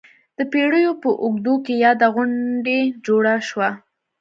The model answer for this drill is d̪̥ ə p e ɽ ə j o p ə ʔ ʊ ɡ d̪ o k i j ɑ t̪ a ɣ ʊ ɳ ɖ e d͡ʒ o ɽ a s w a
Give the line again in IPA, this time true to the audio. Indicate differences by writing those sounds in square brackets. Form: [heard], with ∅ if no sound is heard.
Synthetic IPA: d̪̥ ə p e ɽ ə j o p ə ʔ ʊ ɡ d̪ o k [e] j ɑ [d̪] a ɣ ʊ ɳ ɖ e d͡ʒ o ɽ a [ʃ] w a